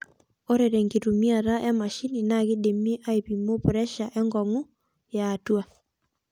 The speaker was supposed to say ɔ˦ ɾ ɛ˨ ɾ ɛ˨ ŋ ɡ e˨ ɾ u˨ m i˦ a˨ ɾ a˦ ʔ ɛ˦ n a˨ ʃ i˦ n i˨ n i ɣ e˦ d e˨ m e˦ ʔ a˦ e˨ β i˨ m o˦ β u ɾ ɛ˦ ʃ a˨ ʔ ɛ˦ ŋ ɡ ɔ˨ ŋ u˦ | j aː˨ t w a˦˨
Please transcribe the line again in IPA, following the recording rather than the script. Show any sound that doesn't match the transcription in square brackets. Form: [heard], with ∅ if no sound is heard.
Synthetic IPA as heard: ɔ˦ ɾ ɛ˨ ɾ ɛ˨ ŋ ɡ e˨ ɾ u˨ m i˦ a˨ ɾ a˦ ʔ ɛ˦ [m] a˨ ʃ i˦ n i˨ n [a] ɣ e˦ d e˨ m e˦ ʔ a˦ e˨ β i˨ m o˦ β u ɾ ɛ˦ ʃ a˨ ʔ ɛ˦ ŋ ɡ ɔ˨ ŋ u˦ | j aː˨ t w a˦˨